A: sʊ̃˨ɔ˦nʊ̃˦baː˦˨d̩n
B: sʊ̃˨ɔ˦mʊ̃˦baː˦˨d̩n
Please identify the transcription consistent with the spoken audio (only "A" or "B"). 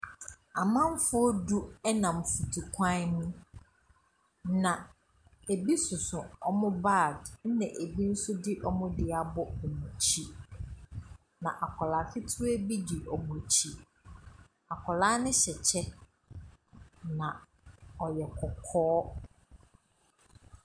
B